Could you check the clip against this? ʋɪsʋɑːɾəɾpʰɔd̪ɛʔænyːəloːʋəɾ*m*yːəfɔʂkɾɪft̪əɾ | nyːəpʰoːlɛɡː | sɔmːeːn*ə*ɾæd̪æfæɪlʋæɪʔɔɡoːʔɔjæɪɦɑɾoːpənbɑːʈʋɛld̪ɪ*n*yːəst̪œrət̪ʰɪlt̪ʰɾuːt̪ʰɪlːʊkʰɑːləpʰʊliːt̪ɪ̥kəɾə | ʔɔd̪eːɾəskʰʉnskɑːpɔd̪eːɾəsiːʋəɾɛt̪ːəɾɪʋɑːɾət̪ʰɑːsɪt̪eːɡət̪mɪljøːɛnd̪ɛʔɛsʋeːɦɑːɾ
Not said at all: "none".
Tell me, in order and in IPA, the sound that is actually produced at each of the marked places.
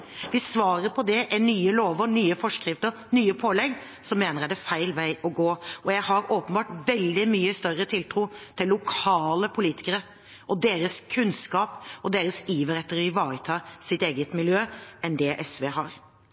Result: n, ə, m

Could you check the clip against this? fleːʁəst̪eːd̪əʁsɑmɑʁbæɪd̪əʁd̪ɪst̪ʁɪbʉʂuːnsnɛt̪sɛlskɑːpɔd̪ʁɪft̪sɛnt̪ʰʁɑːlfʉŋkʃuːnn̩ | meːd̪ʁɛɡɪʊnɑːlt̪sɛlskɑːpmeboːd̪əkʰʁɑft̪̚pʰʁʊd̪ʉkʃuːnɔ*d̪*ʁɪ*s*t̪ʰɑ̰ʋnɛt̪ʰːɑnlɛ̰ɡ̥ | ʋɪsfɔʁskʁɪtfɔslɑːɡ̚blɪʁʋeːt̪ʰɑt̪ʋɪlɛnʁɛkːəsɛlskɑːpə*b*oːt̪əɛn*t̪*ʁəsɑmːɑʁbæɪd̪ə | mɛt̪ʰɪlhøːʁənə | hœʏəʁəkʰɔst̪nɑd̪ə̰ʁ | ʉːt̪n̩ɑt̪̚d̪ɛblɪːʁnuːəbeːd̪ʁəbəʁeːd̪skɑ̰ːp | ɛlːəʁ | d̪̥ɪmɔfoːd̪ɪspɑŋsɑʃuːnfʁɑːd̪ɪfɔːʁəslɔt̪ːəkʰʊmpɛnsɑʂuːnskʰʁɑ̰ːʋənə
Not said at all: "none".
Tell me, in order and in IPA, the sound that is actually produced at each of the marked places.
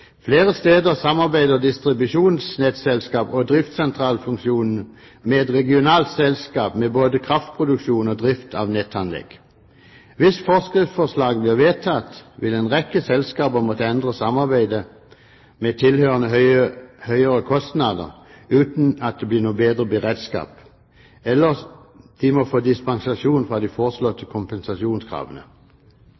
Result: d̪, f, m, d̪

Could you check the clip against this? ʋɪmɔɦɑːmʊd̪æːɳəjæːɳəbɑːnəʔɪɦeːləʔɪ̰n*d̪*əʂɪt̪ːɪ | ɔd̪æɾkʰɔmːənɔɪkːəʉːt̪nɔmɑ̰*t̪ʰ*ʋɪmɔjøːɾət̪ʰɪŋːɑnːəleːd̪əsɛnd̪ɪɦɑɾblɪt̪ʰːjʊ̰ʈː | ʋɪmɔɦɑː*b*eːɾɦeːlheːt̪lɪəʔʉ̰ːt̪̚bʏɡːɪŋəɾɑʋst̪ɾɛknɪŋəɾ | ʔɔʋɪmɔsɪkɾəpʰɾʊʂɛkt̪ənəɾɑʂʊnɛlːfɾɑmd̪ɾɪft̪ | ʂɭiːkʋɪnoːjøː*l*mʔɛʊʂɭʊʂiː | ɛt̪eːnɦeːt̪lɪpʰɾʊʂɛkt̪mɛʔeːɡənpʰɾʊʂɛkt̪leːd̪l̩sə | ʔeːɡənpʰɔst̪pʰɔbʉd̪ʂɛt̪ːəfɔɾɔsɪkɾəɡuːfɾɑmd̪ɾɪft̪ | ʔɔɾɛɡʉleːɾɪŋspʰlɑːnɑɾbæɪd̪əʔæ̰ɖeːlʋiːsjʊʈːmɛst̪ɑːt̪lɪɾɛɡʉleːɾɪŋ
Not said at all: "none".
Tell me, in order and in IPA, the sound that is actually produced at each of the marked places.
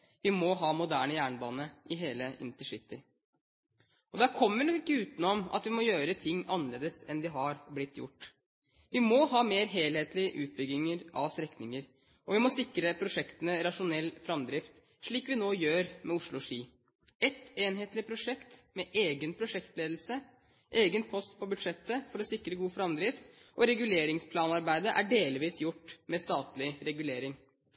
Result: t̪, t̪, m, ɾ

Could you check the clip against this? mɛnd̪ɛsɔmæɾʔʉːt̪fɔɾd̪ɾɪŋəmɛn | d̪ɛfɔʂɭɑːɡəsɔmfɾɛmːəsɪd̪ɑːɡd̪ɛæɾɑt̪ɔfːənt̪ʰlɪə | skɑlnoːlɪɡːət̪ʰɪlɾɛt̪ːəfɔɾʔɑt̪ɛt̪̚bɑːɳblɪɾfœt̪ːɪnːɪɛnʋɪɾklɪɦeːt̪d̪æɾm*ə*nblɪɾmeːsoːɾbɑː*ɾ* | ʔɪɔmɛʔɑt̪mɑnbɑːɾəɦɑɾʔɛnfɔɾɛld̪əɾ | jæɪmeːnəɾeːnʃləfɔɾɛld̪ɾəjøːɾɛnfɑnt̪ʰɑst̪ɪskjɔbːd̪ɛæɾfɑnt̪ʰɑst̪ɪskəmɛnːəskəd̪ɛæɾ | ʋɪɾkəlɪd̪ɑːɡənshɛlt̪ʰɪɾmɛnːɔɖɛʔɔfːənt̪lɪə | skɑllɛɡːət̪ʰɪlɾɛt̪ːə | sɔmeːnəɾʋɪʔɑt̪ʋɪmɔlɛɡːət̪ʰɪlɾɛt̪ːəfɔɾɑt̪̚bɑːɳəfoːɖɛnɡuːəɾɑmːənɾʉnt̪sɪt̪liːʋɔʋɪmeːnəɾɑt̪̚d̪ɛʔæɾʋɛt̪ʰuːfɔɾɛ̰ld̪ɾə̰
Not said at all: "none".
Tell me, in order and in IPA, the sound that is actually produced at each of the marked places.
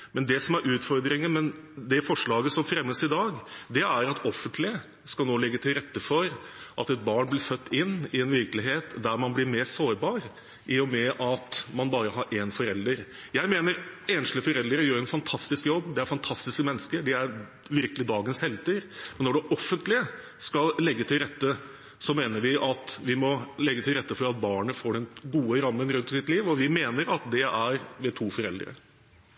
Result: ɑ, ɾ

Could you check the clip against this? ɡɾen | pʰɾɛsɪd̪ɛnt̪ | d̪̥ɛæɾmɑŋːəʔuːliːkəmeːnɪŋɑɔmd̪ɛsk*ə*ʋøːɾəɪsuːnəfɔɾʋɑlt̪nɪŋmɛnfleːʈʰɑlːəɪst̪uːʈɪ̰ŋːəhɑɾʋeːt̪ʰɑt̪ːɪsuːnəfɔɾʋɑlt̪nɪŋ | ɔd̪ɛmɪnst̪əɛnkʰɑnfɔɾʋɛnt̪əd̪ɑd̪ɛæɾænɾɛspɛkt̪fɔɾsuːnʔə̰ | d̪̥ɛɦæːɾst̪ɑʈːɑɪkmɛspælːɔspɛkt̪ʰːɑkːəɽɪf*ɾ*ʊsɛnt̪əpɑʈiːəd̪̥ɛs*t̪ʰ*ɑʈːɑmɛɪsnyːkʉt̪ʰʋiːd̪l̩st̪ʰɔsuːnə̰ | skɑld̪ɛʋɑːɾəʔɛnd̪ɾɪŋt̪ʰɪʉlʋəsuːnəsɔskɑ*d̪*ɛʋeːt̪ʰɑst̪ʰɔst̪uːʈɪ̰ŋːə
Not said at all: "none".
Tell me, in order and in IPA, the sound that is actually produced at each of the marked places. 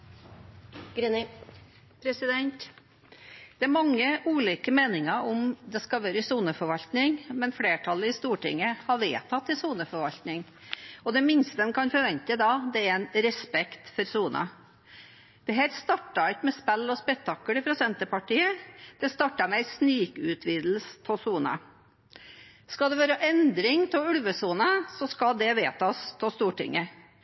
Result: ɑ, ɾ, t̪, d̪

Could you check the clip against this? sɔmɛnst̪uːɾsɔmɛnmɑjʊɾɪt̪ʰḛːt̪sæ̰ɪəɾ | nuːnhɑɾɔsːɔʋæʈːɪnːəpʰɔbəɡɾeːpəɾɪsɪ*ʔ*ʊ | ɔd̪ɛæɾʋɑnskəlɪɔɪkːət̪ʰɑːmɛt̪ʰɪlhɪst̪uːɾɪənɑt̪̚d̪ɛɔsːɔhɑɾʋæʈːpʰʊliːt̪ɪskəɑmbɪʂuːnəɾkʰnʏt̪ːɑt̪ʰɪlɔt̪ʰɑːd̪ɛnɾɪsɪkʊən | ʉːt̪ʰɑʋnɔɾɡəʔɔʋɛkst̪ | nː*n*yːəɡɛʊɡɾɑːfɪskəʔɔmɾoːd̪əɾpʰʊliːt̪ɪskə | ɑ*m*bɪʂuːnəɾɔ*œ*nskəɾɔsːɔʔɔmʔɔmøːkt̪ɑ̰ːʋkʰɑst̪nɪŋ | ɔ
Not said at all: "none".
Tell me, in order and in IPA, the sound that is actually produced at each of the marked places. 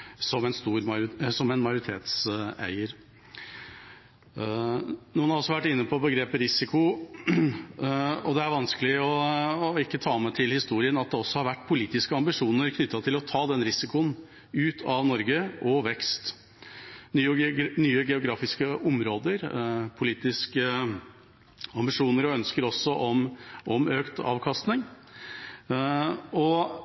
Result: k, n, m, œ

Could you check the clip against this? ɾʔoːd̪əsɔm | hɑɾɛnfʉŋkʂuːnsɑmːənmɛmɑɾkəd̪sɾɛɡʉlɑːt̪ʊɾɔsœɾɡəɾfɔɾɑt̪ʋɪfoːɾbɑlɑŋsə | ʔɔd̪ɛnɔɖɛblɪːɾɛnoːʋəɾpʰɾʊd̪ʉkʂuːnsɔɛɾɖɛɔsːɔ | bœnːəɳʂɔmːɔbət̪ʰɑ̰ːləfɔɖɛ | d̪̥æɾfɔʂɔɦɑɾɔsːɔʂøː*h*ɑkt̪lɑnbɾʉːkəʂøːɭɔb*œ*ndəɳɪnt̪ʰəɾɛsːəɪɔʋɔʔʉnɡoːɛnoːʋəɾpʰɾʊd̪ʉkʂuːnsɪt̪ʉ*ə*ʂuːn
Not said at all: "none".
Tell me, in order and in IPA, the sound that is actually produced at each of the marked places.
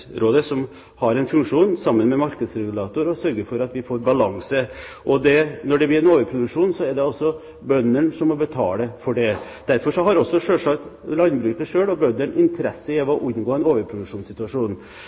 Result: ʂ, œ, ɑ

